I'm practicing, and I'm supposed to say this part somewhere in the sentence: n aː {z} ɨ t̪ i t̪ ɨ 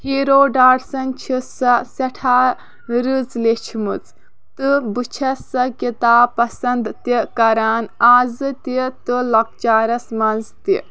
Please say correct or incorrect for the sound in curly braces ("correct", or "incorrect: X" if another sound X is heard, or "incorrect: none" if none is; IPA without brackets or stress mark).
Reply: correct